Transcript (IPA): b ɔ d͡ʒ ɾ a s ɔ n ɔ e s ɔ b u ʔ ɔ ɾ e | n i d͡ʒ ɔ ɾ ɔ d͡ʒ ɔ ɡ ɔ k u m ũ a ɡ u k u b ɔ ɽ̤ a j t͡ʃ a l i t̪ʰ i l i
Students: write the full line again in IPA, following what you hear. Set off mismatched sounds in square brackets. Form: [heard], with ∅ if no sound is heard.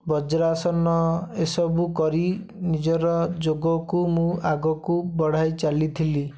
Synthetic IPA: b ɔ d͡ʒ ɾ a s ɔ n ɔ e s ɔ b u [k] ɔ ɾ [i] | n i d͡ʒ ɔ ɾ ɔ d͡ʒ [o] ɡ ɔ k u m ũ a ɡ [ɔ] k u b ɔ ɽ̤ a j t͡ʃ a l i t̪ʰ i l i